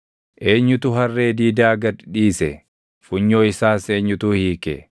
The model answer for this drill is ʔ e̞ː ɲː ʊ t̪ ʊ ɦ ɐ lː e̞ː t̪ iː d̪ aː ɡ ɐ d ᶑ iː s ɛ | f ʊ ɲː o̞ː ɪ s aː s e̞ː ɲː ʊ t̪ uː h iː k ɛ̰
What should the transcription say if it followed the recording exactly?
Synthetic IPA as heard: ʔ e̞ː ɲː ʊ t̪ ʊ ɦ ɐ rː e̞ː d̪ iː d̪ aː ɡ ɐ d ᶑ iː s ɛ | f ʊ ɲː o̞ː ɪ s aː s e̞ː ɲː ʊ t̪ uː h iː k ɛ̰